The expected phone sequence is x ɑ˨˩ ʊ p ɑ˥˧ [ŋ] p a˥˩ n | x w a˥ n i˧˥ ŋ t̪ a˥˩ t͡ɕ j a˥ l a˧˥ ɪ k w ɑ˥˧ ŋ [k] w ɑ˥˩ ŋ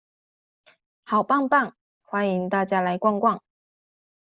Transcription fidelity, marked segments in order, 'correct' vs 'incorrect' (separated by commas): correct, correct